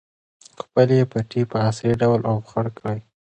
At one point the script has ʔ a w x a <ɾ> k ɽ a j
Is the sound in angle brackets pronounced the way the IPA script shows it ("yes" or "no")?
no